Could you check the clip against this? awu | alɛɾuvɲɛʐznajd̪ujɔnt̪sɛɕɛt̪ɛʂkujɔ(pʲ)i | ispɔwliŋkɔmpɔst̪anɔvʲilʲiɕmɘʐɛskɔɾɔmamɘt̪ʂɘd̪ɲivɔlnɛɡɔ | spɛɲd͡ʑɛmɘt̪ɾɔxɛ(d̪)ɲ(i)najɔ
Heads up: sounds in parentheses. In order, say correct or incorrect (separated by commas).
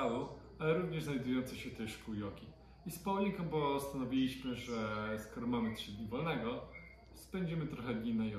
incorrect, correct, correct